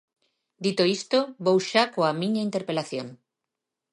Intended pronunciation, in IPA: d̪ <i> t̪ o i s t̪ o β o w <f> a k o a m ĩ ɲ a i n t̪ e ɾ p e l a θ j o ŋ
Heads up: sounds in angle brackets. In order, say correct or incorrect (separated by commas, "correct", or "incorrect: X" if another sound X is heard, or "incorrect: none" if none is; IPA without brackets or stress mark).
correct, incorrect: ʃ